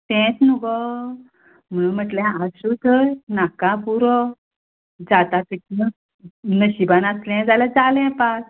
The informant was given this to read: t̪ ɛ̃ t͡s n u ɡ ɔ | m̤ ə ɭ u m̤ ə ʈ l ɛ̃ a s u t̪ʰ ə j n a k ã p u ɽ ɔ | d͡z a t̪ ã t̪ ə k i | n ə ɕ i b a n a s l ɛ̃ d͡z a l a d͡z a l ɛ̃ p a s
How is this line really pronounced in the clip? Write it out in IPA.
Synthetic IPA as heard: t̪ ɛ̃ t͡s n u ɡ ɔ | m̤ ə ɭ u m̤ ə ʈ l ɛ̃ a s u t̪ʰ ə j n a k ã p u ɾ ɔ | d͡z a t̪ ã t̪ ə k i | n ə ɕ i b a n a s l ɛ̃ d͡z a l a d͡z a l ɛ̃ p a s